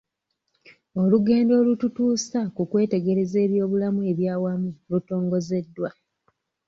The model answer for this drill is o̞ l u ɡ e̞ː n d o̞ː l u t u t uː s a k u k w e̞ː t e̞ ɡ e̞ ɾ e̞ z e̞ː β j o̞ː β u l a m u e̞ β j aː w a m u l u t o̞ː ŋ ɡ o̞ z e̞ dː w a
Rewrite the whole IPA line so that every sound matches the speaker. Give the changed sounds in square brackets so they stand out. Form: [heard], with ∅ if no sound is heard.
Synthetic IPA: o̞ l u ɡ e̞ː n d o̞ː l u t u t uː s a k u k w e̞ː t e̞ ɡ e̞ ɾ e̞ z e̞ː β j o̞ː β u l a m u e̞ β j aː w a m u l u t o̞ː ŋ ɡ o̞ z e̞ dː w a